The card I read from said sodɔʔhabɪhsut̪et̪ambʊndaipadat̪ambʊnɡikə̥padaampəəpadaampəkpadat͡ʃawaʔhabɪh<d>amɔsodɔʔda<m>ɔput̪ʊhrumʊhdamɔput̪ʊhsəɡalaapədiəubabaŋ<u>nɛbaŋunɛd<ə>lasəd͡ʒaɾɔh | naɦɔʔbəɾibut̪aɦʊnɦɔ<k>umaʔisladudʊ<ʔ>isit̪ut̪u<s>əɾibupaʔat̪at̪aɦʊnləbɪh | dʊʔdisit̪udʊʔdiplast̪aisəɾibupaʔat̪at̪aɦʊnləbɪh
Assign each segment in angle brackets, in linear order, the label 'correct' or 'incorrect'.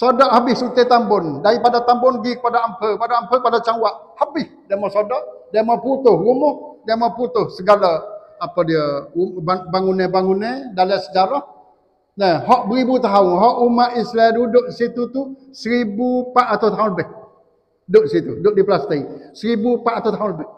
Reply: correct, correct, correct, incorrect: a, incorrect: ʔ, correct, correct

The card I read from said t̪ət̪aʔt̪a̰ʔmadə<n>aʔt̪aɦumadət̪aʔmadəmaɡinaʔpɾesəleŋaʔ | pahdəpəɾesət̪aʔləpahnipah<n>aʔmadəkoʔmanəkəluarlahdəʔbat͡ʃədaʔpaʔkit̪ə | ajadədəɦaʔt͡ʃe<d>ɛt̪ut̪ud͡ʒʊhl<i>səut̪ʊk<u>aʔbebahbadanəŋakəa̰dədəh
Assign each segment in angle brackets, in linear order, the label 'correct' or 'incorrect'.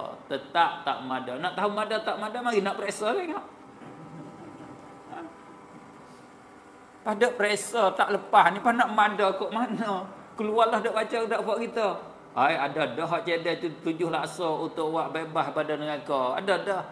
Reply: correct, correct, correct, incorrect: a, incorrect: w

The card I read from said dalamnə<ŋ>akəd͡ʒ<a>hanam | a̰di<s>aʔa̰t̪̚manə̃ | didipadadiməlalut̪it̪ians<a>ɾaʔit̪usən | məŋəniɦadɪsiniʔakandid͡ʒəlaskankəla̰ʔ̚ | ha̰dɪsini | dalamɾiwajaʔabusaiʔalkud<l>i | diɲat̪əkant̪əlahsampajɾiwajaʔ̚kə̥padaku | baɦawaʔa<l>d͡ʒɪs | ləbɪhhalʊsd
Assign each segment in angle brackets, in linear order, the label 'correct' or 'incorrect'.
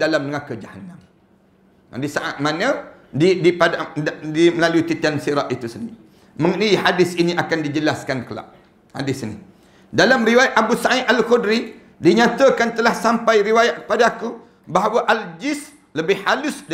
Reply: correct, correct, correct, incorrect: i, incorrect: ɾ, correct

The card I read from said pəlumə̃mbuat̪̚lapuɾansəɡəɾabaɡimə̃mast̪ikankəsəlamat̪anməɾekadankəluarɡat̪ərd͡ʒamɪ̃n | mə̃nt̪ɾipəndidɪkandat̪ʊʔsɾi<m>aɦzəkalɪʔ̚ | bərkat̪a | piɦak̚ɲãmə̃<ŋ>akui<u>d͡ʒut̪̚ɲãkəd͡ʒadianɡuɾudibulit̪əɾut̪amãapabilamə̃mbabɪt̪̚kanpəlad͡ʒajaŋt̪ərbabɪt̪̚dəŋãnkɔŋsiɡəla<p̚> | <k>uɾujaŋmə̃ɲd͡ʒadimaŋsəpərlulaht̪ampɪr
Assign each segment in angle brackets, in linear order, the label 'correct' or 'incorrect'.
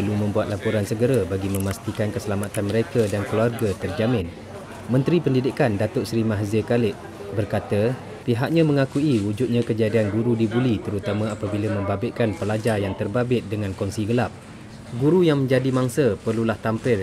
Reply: correct, correct, correct, correct, incorrect: ɡ

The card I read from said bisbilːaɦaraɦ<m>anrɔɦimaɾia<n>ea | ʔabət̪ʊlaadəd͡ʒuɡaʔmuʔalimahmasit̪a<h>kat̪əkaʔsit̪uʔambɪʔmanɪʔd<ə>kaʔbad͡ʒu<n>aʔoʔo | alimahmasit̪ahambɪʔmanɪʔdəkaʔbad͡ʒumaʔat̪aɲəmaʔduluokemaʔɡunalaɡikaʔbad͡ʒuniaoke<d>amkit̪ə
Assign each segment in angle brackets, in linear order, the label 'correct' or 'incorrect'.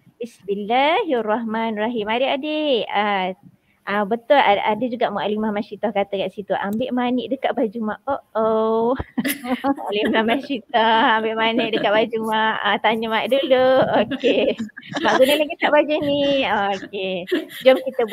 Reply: correct, incorrect: d, correct, correct, incorrect: m, incorrect: d͡ʒ

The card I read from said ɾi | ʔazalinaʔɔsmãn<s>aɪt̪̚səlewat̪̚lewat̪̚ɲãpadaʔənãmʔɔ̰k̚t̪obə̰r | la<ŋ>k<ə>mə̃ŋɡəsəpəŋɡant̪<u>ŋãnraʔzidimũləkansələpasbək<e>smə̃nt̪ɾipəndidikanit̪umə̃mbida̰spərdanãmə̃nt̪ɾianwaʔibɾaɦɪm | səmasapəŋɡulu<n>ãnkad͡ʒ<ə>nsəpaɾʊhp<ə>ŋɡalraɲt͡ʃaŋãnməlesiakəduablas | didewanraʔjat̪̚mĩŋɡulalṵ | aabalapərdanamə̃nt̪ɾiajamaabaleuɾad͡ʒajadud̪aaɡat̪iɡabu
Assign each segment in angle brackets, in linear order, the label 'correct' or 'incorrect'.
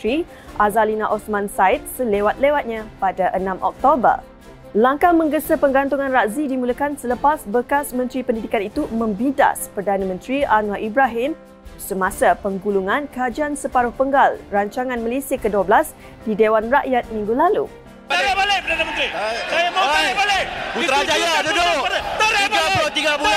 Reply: correct, correct, incorrect: a, correct, incorrect: a, incorrect: ŋ, incorrect: a, correct

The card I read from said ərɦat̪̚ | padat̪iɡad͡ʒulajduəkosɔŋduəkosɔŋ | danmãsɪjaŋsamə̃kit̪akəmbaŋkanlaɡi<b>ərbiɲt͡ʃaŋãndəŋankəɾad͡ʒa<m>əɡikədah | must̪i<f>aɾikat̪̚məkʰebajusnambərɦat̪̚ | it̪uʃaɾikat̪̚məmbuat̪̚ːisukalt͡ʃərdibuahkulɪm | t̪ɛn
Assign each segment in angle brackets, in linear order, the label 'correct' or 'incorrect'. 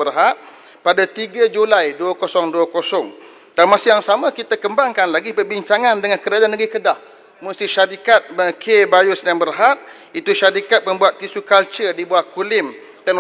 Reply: incorrect: p, incorrect: n, incorrect: ʃ

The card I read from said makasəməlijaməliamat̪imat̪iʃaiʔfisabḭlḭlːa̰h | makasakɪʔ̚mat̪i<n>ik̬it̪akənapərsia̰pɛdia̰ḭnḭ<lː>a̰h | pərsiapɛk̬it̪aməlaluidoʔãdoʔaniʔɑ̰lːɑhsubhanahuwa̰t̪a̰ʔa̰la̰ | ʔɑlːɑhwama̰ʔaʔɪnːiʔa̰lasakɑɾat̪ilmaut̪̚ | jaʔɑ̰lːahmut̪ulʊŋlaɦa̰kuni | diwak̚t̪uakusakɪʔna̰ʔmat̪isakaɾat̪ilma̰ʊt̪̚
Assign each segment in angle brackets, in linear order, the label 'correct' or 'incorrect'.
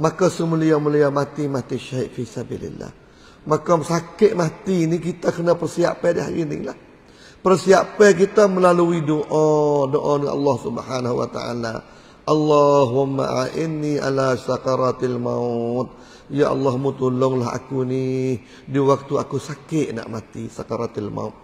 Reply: correct, incorrect: l

